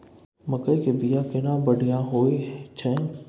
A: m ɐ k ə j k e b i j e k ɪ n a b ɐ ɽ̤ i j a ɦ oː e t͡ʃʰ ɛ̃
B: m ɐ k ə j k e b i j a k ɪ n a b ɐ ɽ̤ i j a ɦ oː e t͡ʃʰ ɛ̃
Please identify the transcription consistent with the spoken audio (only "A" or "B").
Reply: B